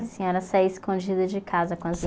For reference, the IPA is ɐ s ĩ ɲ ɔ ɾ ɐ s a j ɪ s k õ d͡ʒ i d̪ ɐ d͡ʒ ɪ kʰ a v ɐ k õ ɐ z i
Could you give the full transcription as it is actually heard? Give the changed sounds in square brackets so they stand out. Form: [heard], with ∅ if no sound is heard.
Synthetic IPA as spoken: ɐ s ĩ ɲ ɔ ɾ ɐ s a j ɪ s k õ d͡ʒ i d̪ ɐ d͡ʒ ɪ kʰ a [z] ɐ k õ ɐ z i